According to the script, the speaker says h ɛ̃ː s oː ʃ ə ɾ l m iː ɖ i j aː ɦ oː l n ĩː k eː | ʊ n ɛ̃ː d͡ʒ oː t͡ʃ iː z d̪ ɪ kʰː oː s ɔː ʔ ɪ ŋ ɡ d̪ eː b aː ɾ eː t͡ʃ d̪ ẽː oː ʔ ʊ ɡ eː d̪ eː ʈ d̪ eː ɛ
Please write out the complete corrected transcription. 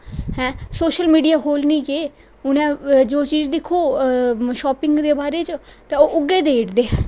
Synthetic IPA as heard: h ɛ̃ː s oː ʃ ə l m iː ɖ i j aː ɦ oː l n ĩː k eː | ʊ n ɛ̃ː d͡ʒ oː t͡ʃ iː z d̪ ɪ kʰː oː ʃ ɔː p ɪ ŋ ɡ d̪ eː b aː ɾ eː t͡ʃ t̪ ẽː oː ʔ ʊ ɡ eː d̪ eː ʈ d̪ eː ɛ

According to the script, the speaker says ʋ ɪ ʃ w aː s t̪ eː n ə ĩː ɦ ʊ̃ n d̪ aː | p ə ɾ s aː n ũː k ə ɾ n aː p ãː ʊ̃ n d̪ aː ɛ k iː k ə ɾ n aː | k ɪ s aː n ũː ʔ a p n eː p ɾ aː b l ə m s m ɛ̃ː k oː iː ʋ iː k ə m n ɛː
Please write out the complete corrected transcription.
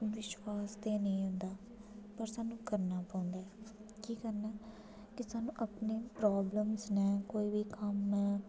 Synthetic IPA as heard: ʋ ɪ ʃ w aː s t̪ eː n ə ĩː ɦ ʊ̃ n d̪ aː | p ə ɾ s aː n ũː k ə ɾ n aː p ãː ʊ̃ n d̪ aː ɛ k iː k ə ɾ n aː | k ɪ s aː n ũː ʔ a p n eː p ɾ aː b l ə m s n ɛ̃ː k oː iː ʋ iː k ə m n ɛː

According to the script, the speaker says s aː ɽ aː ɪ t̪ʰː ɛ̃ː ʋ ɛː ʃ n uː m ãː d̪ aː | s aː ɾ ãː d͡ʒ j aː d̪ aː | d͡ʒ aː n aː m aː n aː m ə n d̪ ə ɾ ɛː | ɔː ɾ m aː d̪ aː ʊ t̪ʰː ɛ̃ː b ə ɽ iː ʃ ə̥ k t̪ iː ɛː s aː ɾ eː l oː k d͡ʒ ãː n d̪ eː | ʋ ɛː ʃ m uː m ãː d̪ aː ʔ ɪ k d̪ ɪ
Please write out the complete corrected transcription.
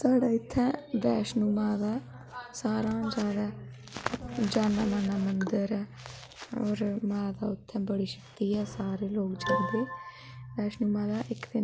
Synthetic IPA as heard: s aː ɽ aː ɪ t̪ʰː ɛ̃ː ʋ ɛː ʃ n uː m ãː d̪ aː | s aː ɾ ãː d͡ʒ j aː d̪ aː | d͡ʒ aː n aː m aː n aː m ə n d̪ ə ɾ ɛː | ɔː ɾ m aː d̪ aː ʊ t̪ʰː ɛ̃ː b ə ɽ iː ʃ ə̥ k t̪ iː ɛː s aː ɾ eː l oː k d͡ʒ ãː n d̪ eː | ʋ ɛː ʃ n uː m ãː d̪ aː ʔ ɪ k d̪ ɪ

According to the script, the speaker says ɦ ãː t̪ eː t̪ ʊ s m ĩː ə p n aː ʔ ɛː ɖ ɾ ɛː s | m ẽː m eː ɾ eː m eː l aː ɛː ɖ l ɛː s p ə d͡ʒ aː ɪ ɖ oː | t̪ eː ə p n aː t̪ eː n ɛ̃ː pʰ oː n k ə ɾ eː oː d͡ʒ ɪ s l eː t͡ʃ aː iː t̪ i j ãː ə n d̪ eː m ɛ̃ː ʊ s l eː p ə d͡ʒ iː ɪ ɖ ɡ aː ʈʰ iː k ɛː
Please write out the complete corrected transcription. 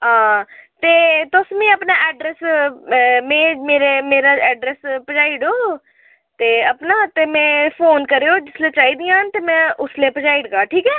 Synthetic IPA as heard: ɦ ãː t̪ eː t̪ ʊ s m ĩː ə p n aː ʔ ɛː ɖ ɾ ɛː s | m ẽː m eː ɾ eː m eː ɾ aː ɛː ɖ ɾ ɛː s p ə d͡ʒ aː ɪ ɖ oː | t̪ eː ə p n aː t̪ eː m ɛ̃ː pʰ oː n k ə ɾ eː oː d͡ʒ ɪ s l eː t͡ʃ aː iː d̪ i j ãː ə n t̪ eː m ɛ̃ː ʊ s l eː p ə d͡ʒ aː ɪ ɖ ɡ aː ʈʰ iː k ɛː

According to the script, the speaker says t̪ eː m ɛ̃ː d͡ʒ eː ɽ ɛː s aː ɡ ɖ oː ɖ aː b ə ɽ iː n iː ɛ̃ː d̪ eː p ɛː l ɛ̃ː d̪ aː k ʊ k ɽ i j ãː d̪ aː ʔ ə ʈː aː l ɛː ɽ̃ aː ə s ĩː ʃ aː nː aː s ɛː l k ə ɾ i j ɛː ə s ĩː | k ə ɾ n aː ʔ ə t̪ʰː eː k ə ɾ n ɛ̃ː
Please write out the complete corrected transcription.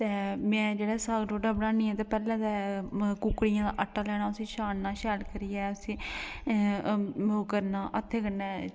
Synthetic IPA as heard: t̪ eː m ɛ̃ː d͡ʒ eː ɽ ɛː s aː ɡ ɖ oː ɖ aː b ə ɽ aː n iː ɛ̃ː t̪ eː p ɛː l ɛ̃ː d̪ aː k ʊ k ɽ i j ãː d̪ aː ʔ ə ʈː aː l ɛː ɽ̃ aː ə s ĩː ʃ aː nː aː ʃ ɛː l k ə ɾ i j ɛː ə s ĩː | k ə ɾ n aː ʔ ə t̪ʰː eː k ə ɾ n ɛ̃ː

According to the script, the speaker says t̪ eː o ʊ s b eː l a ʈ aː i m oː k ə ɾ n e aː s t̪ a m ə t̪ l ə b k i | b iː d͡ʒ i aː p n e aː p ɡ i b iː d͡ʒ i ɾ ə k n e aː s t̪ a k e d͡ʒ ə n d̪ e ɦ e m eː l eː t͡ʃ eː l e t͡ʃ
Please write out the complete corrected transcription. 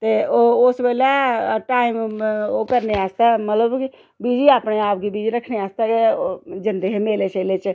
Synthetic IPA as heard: t̪ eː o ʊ s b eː l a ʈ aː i m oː k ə ɾ n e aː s t̪ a m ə t̪ l ə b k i | b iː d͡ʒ i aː p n e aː p ɡ i b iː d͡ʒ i ɾ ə kʰ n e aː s t̪ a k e d͡ʒ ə n d̪ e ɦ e m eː l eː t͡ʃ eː l e t͡ʃ

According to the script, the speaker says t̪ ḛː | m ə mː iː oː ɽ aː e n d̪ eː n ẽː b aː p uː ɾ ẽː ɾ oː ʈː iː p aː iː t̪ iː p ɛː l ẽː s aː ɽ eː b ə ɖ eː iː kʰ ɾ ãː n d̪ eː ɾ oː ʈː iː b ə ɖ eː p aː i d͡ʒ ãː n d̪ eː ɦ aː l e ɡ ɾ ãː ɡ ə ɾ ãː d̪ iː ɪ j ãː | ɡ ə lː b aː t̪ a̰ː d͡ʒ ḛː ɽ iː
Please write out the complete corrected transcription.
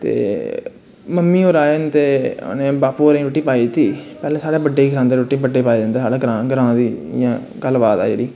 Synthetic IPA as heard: t̪ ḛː | m ə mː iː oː ɾ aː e n t̪ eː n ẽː b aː p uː ɾ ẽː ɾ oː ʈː iː p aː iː t̪ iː p ɛː l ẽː s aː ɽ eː b ə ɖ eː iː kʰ ɾ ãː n d̪ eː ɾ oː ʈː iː b ə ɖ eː p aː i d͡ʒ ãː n d̪ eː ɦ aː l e ɡ ɾ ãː ɡ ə ɾ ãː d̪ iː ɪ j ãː | ɡ ə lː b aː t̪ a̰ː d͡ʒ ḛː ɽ iː

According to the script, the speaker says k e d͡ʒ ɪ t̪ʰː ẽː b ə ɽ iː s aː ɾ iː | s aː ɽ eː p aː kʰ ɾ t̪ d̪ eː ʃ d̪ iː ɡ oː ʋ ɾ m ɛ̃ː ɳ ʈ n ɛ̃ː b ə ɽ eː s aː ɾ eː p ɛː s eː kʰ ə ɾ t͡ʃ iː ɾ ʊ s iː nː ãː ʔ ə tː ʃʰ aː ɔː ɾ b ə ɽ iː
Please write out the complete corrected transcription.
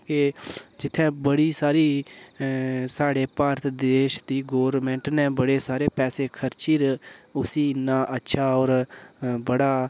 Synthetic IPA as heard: k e d͡ʒ ɪ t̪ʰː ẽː b ə ɽ iː s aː ɾ iː | s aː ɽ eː p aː ɾ t̪ d̪ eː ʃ d̪ iː ɡ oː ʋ ɾ m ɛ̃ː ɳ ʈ n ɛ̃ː b ə ɽ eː s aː ɾ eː p ɛː s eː kʰ ə ɾ t͡ʃ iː ɾ ʊ s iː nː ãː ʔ ə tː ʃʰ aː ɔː ɾ b ə ɽ aː

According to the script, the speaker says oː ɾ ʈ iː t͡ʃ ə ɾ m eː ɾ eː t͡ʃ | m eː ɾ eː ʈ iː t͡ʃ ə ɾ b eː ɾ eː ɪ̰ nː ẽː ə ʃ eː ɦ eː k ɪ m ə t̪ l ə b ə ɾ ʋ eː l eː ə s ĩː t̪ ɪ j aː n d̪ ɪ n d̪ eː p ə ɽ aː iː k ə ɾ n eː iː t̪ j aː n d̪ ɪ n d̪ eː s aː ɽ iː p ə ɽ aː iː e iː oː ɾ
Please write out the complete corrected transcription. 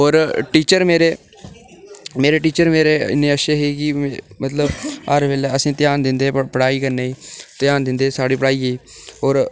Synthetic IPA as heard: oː ɾ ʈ iː t͡ʃ ə ɾ m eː ɾ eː | m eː ɾ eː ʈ iː t͡ʃ ə ɾ m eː ɾ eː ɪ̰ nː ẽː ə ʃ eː ɦ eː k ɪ m ə t̪ l ə b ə ɾ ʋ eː l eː ə s ĩː t̪ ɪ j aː n d̪ ɪ n d̪ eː p ə ɽ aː iː k ə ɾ n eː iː t̪ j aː n d̪ ɪ n d̪ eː s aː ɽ iː p ə ɽ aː iː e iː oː ɾ

